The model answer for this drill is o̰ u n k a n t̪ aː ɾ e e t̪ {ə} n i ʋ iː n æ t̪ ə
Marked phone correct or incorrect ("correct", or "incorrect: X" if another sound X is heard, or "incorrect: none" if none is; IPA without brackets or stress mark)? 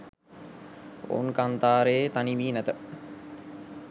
incorrect: a